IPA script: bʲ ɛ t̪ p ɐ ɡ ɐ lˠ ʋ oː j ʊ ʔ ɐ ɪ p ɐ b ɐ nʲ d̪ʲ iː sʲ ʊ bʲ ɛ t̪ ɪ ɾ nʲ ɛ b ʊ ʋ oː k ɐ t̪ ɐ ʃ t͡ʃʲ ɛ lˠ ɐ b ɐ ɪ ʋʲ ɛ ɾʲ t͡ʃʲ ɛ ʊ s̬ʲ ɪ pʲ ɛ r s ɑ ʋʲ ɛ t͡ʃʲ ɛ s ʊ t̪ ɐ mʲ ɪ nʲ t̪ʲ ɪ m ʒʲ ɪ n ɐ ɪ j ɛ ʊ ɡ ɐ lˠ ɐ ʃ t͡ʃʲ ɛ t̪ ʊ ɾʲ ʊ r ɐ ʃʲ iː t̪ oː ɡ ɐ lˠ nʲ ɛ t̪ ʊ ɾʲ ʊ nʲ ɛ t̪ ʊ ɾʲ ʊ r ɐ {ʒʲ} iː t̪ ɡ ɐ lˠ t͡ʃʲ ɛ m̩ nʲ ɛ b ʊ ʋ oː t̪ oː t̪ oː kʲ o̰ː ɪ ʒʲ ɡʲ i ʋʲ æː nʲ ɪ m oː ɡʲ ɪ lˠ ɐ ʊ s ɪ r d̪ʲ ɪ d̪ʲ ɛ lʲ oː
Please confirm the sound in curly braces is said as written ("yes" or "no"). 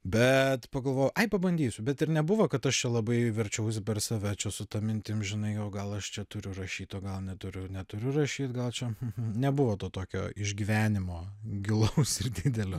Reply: no